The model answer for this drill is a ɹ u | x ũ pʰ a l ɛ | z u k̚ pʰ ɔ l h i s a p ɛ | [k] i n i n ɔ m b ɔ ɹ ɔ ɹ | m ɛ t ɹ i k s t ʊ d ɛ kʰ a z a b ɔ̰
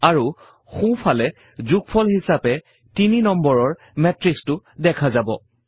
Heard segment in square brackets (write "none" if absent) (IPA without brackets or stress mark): t